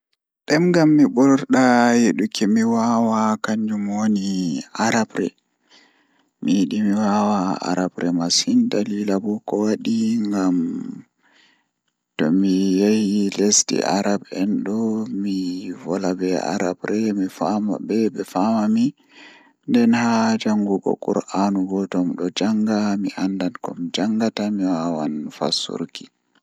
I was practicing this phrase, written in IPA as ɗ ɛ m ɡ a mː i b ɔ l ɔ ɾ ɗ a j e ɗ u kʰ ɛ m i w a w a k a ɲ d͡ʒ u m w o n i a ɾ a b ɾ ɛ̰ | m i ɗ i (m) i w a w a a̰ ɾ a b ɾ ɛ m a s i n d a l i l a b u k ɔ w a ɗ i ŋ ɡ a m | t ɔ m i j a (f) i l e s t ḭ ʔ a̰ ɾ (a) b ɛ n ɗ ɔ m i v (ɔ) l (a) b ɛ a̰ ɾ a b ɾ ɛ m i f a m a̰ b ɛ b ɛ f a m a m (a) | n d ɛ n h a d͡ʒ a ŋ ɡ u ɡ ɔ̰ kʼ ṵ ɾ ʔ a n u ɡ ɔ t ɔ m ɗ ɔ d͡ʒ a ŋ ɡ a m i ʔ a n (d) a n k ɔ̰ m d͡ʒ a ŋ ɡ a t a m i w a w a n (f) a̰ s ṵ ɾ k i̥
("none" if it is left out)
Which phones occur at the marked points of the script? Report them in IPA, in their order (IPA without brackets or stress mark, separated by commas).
m, h, a, ɔ, a, i, d, f